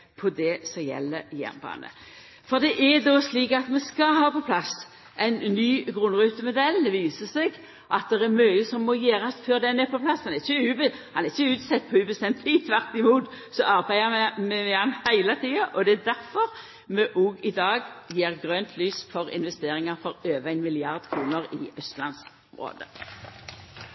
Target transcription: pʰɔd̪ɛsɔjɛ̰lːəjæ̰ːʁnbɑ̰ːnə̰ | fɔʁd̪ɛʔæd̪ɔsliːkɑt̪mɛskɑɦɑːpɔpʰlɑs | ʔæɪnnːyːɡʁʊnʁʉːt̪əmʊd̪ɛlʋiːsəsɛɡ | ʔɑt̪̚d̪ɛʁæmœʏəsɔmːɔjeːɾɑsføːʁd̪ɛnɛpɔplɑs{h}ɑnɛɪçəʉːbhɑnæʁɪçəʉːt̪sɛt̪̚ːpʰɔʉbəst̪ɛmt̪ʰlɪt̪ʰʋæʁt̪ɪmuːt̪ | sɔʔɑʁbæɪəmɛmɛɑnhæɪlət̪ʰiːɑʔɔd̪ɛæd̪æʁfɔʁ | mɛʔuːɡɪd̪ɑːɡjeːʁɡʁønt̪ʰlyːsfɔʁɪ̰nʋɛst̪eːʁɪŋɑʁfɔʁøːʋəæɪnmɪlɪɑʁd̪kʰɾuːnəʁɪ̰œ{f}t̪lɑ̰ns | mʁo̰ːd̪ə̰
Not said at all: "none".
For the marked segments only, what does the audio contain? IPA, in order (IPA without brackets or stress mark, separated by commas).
h, s